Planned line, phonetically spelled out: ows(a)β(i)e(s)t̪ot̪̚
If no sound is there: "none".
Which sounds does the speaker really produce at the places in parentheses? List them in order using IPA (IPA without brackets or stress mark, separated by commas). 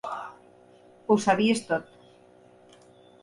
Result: a, i, s